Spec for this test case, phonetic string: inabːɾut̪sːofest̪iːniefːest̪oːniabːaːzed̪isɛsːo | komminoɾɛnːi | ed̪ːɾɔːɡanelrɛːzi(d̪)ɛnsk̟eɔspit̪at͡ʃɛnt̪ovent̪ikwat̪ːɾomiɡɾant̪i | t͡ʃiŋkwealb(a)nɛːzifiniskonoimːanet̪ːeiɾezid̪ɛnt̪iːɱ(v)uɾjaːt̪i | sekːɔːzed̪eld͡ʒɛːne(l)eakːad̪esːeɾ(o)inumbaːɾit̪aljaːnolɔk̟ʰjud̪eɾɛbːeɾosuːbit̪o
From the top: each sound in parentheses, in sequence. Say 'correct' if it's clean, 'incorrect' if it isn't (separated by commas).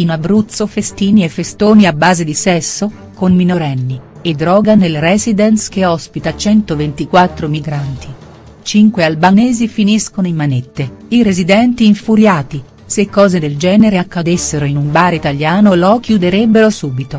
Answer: correct, correct, incorrect, incorrect, correct